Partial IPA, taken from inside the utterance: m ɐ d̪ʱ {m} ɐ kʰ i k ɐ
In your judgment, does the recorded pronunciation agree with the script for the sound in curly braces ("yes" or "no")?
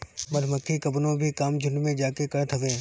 yes